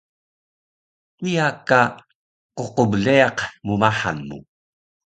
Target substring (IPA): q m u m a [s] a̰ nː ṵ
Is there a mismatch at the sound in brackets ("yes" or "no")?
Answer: yes